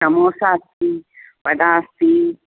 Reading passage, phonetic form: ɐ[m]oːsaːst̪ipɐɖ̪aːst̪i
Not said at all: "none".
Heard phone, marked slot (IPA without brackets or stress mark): m